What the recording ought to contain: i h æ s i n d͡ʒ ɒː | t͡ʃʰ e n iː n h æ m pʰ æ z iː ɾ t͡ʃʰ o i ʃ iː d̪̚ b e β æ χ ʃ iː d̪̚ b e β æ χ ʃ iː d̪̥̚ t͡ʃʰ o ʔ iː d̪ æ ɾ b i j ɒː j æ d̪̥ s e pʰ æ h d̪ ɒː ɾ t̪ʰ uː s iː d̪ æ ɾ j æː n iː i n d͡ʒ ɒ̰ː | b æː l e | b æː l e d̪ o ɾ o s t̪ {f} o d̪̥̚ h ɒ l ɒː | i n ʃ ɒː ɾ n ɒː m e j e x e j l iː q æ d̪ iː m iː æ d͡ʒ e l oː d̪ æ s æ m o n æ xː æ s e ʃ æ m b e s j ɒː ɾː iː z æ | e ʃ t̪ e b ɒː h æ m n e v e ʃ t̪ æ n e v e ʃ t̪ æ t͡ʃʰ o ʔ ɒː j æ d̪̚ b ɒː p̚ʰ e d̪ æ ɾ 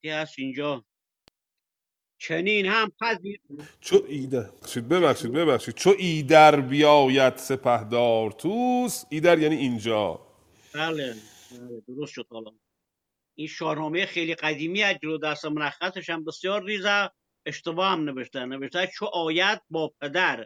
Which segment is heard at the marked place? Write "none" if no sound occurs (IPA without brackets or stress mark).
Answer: ʃ